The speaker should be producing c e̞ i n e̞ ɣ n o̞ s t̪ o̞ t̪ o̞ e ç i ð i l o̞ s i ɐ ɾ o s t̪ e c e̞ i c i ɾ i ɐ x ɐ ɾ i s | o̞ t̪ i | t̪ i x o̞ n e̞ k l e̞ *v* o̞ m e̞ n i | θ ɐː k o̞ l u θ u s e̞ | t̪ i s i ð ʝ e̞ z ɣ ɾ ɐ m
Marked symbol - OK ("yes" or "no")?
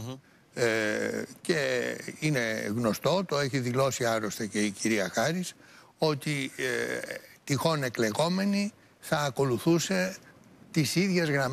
no